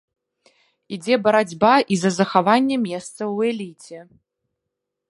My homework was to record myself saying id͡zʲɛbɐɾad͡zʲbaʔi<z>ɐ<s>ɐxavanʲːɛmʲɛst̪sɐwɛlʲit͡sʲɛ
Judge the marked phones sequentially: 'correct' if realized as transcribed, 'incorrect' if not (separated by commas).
correct, incorrect